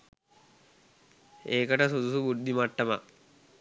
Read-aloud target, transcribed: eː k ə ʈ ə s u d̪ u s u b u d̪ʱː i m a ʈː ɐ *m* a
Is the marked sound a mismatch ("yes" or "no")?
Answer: no